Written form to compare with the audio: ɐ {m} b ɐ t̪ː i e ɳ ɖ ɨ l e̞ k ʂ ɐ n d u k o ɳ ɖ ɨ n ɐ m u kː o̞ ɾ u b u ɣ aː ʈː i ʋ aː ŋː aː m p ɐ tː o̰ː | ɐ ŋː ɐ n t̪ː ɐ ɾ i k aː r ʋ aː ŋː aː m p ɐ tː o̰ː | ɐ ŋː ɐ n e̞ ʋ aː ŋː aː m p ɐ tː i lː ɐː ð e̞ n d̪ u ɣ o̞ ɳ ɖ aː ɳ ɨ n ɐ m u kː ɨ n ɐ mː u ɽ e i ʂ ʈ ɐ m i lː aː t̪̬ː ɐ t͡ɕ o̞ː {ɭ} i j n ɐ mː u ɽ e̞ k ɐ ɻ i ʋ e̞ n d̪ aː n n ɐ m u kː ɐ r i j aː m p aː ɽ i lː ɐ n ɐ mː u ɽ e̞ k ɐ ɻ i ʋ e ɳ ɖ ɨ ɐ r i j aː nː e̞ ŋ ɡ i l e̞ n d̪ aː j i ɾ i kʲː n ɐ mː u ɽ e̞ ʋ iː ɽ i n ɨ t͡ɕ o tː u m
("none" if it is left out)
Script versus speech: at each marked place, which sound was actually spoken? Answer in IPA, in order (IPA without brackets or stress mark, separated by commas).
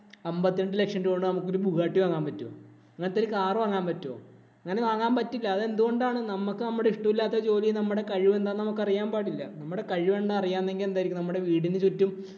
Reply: m, l